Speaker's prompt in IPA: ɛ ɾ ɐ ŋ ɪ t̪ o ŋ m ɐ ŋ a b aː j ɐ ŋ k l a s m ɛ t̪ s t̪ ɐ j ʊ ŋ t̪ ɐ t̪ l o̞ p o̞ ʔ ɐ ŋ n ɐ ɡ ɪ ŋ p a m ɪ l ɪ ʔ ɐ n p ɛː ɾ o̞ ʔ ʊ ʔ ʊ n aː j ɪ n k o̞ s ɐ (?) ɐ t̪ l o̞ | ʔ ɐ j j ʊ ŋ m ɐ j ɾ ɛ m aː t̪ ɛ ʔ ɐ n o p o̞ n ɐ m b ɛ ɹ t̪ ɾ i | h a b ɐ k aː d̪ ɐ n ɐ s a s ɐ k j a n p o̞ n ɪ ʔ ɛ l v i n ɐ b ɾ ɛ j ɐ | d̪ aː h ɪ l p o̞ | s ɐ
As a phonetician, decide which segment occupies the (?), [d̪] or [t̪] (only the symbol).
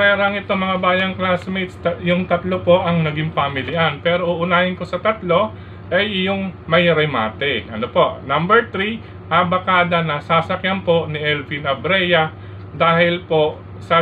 t̪